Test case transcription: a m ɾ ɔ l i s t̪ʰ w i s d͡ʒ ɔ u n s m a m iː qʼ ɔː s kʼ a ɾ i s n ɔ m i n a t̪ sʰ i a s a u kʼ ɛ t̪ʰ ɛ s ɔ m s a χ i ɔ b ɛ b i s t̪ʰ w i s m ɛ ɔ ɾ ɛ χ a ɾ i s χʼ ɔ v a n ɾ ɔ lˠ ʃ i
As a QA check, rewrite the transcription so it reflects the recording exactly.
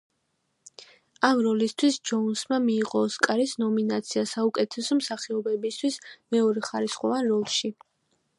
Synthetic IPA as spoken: a m ɾ ɔ l i s t̪ʰ w i s d͡ʒ ɔ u n s m a m iː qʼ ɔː s kʼ a ɾ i s n ɔ m i n a t̪ sʰ i a s a u kʼ ɛ t̪ʰ ɛ s ɔ m s a χ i ɔ b ɛ b i s t̪ʰ w i s m ɛ ɔ ɾ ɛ χ a ɾ i s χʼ ɔ v a n ɾ ɔ lˠ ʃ i

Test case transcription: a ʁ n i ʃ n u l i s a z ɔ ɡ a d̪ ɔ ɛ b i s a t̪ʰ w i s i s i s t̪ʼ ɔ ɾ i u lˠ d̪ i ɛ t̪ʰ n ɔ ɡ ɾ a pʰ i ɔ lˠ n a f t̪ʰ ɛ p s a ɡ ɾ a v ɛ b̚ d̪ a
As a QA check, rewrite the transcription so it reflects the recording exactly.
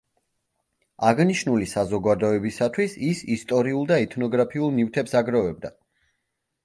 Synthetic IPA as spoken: a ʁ n i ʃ n u l i s a z ɔ ɡ a d̪ ɔ ɛ b i s a t̪ʰ w i s i s i s t̪ʼ ɔ ɾ i u lˠ d̪ a ɛ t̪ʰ n ɔ ɡ ɾ a pʰ i u lˠ n i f t̪ʰ ɛ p s a ɡ ɾ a v ɛ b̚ d̪ a

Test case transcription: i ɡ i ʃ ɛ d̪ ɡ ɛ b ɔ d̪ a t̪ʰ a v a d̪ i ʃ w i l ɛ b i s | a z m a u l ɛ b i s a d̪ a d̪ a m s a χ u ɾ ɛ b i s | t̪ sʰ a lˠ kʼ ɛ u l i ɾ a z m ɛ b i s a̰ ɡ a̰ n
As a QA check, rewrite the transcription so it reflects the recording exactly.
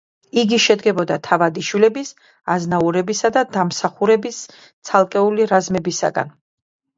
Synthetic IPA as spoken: i ɡ i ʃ ɛ d̪ ɡ ɛ b ɔ d̪ a t̪ʰ a v a d̪ i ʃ w i l ɛ b i s | a z n a u ɾ ɛ b i s a d̪ a d̪ a m s a χ u ɾ ɛ b i s | t̪ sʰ a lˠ kʼ ɛ u l i ɾ a z m ɛ b i s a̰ ɡ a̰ n

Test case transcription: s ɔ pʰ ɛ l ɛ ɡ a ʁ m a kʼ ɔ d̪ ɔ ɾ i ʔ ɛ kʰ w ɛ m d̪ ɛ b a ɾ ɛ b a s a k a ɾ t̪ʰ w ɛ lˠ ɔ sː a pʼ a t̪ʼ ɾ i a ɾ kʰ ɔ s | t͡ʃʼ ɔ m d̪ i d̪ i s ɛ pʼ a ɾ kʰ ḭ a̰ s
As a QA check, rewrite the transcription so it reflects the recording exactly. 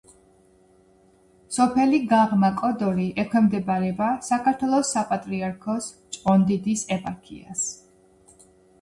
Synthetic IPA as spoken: s ɔ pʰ ɛ l i ɡ a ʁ m a kʼ ɔ d̪ ɔ ɾ i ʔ ɛ kʰ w ɛ m d̪ ɛ b a ɾ ɛ b a s a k a ɾ t̪ʰ w ɛ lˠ ɔ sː a pʼ a t̪ʼ ɾ i a ɾ kʰ ɔ s | t͡ʃʼ ɔ n d̪ i d̪ i s ɛ pʼ a ɾ kʰ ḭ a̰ s

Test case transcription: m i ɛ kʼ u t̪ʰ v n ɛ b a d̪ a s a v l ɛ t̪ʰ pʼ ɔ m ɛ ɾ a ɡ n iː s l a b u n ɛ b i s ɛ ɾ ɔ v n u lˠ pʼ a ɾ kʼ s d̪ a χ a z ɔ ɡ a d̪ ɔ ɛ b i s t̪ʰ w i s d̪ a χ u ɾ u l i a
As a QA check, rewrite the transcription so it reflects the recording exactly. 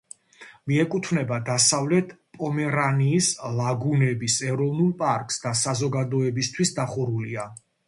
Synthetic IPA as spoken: m i ɛ kʼ u t̪ʰ v n ɛ b a d̪ a s a v l ɛ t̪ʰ pʼ ɔ m ɛ ɾ a n iː s l a ɡ u n ɛ b i s ɛ ɾ ɔ v n u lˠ pʼ a ɾ kʼ s d̪ a s a z ɔ ɡ a d̪ ɔ ɛ b i s t̪ʰ w i s d̪ a χ u ɾ u l i a

